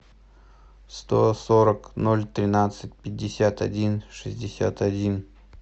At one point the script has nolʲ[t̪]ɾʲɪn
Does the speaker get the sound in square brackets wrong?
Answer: no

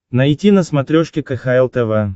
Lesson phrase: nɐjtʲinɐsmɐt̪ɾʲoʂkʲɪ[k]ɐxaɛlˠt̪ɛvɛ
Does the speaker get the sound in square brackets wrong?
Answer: no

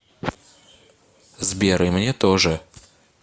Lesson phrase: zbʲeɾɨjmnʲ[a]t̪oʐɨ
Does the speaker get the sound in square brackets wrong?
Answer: yes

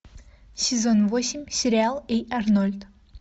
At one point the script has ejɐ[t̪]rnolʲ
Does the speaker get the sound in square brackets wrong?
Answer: yes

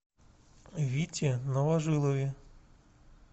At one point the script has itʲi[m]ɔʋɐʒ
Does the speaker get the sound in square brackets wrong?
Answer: yes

